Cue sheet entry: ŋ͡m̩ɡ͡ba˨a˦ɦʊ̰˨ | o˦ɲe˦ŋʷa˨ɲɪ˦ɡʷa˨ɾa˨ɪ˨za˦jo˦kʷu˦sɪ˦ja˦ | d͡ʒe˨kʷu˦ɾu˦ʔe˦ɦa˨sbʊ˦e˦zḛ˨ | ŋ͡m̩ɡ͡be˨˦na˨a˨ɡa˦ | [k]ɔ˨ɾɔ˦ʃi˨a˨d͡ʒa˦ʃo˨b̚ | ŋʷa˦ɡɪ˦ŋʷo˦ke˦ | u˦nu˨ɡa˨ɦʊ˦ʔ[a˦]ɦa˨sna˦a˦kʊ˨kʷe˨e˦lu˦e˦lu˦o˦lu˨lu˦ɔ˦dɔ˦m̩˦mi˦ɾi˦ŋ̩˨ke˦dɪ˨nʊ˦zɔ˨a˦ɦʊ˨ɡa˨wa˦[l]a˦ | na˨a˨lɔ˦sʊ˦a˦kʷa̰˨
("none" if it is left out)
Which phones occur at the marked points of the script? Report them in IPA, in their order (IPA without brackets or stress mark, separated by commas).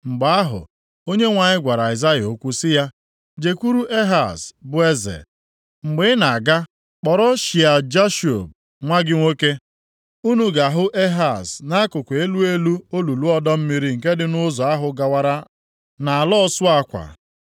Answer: k͡p, e˦, ɾ